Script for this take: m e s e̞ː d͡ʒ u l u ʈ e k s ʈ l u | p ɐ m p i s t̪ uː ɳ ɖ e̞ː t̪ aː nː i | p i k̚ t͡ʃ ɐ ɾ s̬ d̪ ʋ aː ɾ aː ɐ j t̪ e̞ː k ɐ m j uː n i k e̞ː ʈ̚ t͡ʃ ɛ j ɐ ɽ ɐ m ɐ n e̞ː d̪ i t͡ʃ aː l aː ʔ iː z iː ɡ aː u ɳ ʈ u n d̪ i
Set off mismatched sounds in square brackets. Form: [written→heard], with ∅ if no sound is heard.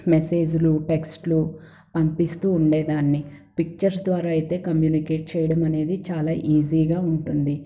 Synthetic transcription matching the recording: m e s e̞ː d͡ʒ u l u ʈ e k s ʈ l u | p ɐ m p i s t̪ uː ɳ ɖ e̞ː [t̪→d̪] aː nː i | p i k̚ t͡ʃ ɐ ɾ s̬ d̪ ʋ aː ɾ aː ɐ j t̪ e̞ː k ɐ m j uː n i k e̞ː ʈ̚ t͡ʃ ɛ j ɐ ɽ ɐ m ɐ n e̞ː d̪ i t͡ʃ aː l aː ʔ iː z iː ɡ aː u ɳ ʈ u n d̪ i